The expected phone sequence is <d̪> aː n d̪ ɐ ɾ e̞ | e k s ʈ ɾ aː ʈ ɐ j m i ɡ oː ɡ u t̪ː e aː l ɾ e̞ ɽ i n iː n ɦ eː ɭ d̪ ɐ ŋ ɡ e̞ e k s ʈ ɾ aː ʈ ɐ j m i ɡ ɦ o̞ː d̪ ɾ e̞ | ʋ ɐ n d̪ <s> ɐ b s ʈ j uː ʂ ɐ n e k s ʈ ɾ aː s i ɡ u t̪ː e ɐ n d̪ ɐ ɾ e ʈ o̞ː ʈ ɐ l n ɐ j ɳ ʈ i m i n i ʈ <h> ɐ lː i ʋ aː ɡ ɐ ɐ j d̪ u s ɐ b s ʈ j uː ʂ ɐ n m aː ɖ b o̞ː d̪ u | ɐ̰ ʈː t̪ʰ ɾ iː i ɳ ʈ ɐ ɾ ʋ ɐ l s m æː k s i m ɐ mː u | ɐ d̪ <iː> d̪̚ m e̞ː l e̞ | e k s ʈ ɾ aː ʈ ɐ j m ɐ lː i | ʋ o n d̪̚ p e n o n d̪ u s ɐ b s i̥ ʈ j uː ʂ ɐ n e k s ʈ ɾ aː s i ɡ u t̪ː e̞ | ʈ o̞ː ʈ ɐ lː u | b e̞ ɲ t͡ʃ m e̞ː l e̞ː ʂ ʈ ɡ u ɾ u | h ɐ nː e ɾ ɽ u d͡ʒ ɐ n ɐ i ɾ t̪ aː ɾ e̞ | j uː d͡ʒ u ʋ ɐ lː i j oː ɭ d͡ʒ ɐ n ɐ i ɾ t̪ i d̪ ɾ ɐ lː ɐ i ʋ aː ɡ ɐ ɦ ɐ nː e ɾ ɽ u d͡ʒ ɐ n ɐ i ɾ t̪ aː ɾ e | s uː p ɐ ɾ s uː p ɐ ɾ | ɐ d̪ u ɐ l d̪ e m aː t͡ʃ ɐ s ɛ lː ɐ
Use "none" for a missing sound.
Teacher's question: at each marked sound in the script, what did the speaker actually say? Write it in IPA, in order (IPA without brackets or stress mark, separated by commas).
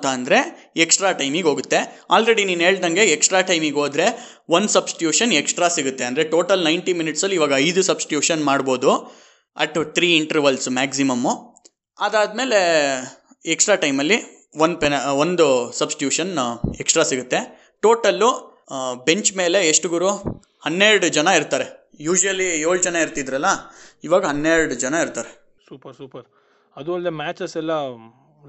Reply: t̪, s, s, aː